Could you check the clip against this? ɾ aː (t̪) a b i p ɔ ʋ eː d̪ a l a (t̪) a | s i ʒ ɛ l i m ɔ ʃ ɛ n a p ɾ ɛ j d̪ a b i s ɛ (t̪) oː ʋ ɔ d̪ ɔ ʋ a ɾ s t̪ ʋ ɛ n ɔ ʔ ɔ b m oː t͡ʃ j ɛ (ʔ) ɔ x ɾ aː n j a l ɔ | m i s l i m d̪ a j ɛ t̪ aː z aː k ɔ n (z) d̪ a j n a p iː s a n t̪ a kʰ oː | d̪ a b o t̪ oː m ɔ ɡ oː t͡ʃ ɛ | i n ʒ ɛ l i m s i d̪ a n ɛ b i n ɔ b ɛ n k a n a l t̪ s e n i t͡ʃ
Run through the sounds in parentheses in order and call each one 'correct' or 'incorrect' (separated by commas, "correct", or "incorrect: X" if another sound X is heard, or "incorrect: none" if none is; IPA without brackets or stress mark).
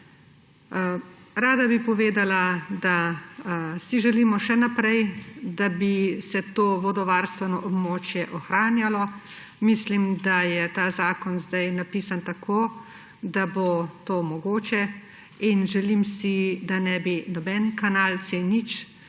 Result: incorrect: d̪, incorrect: d̪, correct, correct, correct